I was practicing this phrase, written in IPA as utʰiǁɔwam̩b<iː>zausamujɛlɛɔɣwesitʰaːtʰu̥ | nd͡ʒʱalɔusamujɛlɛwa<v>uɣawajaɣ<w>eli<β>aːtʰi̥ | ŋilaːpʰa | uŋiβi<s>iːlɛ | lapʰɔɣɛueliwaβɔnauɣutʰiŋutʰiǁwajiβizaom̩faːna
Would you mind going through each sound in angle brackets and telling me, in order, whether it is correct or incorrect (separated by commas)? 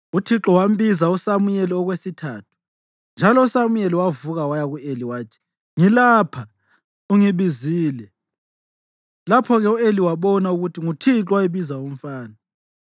incorrect, correct, incorrect, incorrect, incorrect